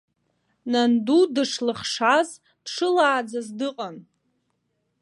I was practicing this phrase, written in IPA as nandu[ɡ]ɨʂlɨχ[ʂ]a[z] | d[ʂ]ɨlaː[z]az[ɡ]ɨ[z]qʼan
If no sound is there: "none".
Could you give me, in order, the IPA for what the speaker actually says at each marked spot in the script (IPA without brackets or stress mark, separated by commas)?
d, ʂ, z, ʂ, d͡z, d, none